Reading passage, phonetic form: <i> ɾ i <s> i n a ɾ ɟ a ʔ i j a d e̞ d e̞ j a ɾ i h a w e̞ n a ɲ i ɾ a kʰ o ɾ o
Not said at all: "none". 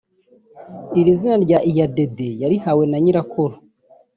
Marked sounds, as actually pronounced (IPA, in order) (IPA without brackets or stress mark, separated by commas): i, z